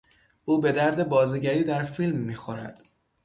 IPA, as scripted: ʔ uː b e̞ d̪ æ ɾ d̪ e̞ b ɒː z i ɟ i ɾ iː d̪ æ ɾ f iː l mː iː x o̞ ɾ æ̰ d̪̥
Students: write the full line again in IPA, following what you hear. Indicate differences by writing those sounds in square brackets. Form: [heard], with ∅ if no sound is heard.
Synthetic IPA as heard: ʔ uː b e̞ d̪ æ ɾ d̪ e̞ b ɒː z i ɟ [æ] ɾ iː d̪ æ ɾ f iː l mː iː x o̞ ɾ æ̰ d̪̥